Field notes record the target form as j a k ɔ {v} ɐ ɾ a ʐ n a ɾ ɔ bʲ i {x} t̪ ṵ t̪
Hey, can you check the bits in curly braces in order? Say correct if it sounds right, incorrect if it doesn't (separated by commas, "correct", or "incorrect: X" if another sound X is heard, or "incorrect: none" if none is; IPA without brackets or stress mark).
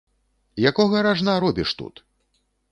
incorrect: ɣ, incorrect: ʂ